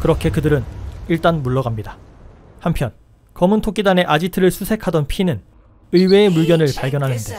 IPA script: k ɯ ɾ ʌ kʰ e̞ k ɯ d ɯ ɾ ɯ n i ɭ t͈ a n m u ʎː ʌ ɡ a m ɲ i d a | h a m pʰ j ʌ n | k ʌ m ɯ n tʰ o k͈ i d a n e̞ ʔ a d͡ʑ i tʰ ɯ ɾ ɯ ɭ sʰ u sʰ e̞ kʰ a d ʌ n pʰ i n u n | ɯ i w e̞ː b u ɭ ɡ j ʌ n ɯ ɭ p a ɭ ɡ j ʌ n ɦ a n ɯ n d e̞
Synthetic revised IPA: k ɯ ɾ ʌ kʰ e̞ k ɯ d ɯ ɾ ɯ n i ɭ t͈ a n m u ɭː ʌ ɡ a m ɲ i d a | h a m pʰ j ʌ n | k ʌ m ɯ n tʰ o k͈ i d a n e̞ ʔ a d͡ʑ i tʰ ɯ ɾ ɯ ɭ sʰ u sʰ e̞ kʰ a d ʌ n pʰ i n ɯ n | ɯ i w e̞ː m u ɭ ɡ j ʌ n ɯ ɭ p a ɭ ɡ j ʌ n ɦ a n ɯ n d e̞